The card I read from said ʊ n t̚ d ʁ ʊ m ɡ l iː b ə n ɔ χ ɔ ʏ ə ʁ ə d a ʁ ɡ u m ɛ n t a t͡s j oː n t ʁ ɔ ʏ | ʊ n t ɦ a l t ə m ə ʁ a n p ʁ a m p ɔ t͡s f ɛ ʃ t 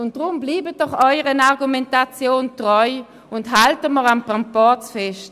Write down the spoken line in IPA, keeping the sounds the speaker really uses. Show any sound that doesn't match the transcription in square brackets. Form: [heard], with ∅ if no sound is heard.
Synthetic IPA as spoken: ʊ n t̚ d ʁ ʊ m [b] l iː b ə [d] ɔ χ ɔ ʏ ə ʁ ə [n] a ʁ ɡ u m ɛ n t a t͡s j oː n t ʁ ɔ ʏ | ʊ n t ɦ a l t ə m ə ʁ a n p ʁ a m p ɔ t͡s f ɛ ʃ t